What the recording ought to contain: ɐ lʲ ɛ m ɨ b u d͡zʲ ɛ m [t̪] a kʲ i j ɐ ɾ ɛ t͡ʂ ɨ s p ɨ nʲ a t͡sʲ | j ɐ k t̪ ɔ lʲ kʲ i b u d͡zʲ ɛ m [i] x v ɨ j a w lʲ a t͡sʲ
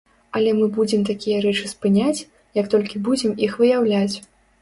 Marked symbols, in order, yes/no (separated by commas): yes, yes